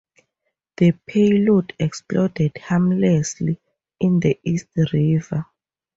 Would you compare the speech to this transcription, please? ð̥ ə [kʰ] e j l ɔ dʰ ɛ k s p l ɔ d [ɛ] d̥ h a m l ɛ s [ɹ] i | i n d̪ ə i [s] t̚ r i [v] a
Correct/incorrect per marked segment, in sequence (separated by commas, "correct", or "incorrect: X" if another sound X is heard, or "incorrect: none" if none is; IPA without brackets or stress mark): incorrect: pʰ, correct, incorrect: l, correct, correct